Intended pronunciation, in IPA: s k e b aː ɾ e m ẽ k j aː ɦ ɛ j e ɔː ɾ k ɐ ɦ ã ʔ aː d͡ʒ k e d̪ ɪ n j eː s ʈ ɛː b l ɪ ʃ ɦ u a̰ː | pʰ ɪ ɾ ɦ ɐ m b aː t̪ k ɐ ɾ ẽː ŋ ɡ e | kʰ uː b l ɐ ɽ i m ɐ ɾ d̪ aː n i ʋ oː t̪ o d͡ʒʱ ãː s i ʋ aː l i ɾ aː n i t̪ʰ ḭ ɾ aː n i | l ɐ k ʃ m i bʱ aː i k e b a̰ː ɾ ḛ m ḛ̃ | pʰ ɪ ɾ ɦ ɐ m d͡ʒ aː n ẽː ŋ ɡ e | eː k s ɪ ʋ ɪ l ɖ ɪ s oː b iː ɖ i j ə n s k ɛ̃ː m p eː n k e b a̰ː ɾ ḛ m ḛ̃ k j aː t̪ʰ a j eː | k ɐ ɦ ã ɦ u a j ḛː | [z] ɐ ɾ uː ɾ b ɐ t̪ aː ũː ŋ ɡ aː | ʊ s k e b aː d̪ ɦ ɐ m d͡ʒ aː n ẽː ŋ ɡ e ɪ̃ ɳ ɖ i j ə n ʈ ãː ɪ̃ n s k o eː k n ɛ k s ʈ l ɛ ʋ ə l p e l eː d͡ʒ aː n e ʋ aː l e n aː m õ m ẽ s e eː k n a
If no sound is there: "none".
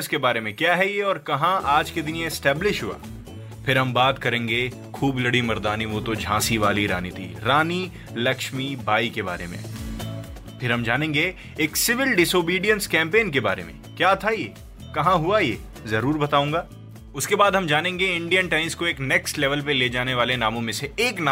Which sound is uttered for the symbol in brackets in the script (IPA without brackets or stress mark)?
z